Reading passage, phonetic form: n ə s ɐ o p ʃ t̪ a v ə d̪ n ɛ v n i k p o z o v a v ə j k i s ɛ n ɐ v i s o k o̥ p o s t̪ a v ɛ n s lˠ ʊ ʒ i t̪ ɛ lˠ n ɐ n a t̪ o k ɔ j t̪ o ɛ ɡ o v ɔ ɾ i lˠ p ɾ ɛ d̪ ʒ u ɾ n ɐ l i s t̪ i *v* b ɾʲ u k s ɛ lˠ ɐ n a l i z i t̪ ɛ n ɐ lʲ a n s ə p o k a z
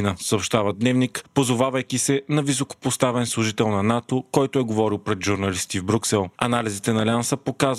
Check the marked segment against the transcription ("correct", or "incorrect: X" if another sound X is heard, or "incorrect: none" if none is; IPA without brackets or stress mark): correct